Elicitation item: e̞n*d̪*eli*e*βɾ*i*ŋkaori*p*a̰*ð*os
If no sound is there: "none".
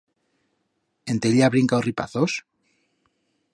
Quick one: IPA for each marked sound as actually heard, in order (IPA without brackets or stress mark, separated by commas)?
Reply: t̪, a, i, p, θ